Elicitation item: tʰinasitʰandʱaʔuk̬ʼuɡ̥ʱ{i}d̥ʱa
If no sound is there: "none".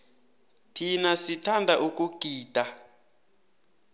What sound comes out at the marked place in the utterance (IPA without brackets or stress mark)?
iː